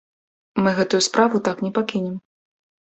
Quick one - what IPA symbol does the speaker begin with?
m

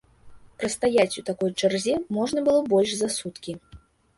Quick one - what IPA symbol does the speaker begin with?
p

